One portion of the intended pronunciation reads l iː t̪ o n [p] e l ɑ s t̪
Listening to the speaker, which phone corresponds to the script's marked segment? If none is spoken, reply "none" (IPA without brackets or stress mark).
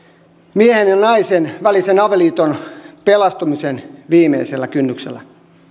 p